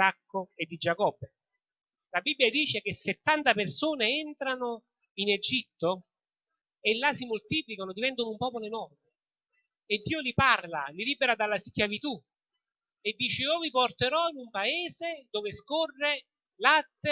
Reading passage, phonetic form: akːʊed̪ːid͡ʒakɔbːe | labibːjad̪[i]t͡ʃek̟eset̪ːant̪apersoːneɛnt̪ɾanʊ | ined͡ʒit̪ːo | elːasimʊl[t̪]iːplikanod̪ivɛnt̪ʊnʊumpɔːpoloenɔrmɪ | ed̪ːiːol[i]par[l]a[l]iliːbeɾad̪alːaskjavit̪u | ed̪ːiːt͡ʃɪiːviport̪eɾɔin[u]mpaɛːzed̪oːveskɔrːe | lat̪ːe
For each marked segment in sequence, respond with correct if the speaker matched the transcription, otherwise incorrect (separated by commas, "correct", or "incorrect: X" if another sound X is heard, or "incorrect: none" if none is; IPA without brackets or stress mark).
incorrect: iː, correct, correct, correct, correct, correct